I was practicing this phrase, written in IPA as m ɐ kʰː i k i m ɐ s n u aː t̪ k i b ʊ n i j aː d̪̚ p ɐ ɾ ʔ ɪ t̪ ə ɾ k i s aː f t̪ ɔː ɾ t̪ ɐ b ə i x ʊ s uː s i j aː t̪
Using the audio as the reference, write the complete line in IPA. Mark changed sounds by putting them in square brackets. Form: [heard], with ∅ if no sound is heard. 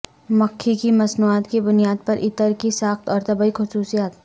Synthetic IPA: m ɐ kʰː i k i m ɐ s n u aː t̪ k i b ʊ n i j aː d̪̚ p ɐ ɾ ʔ ɪ t̪ ə ɾ k i s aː [x] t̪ ɔː ɾ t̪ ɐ b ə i x ʊ s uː s i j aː t̪